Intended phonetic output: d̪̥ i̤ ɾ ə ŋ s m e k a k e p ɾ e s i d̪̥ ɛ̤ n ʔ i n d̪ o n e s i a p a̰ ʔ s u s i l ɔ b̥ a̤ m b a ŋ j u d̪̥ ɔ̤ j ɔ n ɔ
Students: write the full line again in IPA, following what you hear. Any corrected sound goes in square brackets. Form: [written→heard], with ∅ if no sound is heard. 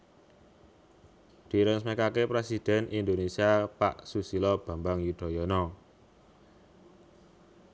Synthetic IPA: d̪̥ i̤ ɾ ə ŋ s m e k a k e p ɾ e s i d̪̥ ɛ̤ n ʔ i n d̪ o n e s i a p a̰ ʔ s u s i l ɔ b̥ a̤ m b a ŋ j u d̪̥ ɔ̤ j ɔ n ɔ